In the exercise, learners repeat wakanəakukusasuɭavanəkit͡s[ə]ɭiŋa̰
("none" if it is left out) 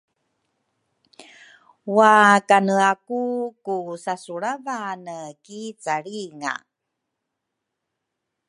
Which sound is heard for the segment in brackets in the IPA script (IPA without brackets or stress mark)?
a